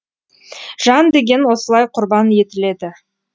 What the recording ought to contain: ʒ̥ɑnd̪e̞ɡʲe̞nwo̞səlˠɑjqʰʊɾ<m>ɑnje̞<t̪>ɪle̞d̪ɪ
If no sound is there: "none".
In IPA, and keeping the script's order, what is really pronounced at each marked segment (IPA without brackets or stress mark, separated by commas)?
b, t̪